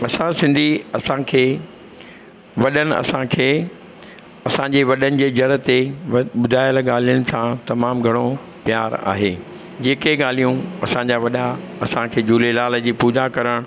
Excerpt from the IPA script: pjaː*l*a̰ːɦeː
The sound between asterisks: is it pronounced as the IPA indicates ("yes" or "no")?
no